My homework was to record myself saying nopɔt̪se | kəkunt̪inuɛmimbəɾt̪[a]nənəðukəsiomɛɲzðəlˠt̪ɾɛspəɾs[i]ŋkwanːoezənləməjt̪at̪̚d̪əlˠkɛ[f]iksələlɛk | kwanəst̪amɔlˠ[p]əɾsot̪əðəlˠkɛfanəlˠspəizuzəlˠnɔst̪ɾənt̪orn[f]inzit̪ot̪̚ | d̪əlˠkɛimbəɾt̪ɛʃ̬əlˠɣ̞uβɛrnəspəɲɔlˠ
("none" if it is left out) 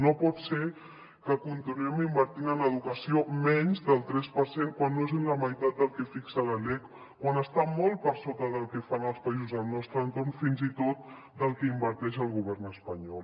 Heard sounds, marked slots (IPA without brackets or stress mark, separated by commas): i, e, f, p, f